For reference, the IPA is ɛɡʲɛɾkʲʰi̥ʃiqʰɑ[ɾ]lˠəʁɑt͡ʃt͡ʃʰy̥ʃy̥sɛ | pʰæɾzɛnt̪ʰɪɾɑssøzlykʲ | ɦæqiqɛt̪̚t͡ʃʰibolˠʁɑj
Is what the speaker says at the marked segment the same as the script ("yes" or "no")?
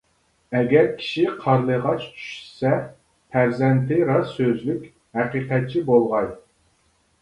yes